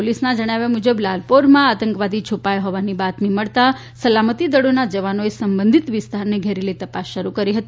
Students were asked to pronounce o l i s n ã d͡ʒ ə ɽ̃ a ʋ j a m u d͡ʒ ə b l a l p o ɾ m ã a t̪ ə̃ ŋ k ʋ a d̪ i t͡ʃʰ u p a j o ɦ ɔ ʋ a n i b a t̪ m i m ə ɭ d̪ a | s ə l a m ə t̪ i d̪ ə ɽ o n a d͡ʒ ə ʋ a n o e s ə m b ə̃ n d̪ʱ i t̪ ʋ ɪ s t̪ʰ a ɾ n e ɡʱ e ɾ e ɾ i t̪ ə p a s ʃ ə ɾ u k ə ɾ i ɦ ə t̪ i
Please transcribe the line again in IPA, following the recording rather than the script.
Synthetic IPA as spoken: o l i s n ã d͡ʒ ə ɽ̃ a ʋ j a m u d͡ʒ ə b l a l p o ɾ m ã a t̪ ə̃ ŋ k ʋ a d̪ i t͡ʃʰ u p a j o ɦ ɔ ʋ a n i b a t̪ m i m ə ɭ t̪ a | s ə l a m ə t̪ i d̪ ə ɽ o n a d͡ʒ ə ʋ a n o e s ə m b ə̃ n d̪ʱ i t̪ ʋ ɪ s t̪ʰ a ɾ n e ɡʱ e ɾ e l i t̪ ə p a s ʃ ə ɾ u k ə ɾ i ɦ ə t̪ i